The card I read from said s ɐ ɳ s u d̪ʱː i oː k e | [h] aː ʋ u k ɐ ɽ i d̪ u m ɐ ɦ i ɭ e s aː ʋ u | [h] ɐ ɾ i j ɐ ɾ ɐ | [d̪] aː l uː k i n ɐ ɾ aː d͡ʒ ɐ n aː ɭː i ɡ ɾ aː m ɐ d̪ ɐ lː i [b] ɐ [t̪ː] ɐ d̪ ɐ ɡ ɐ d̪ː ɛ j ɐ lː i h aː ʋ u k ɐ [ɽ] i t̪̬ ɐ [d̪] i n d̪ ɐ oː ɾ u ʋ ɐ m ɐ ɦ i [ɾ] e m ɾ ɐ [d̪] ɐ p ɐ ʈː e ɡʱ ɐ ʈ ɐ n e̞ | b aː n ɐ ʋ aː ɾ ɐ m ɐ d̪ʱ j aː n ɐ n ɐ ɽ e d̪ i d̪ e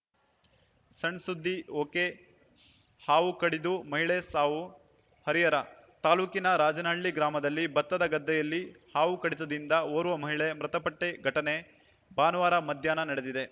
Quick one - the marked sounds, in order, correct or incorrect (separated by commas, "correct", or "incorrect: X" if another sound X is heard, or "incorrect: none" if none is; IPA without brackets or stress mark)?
correct, correct, incorrect: t̪, correct, correct, correct, correct, incorrect: ɭ, incorrect: t̪